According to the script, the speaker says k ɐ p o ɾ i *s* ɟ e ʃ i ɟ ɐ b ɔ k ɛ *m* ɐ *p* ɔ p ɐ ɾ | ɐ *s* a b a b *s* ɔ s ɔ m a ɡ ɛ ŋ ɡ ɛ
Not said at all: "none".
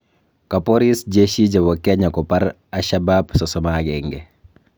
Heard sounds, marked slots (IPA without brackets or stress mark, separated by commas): s, ɲ, k, ʃ, s